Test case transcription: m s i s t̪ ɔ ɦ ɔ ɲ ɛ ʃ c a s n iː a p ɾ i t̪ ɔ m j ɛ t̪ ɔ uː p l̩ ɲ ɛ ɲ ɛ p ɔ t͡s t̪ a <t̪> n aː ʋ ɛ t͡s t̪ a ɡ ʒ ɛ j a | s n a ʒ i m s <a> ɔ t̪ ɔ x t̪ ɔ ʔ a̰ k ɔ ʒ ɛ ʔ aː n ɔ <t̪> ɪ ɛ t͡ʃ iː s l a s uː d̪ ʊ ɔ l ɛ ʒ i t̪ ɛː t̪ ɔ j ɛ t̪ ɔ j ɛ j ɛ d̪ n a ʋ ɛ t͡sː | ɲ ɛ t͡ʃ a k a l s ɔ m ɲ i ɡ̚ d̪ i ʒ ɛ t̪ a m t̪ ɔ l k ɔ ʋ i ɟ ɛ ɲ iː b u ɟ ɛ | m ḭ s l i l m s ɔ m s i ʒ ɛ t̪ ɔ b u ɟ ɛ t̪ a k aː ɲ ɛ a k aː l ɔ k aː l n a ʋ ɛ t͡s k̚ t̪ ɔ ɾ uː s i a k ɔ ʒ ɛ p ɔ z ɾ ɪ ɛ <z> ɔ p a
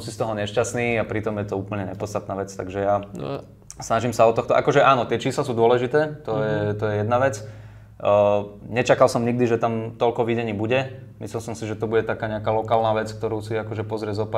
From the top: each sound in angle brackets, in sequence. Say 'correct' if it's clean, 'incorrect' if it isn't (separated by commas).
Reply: correct, correct, correct, correct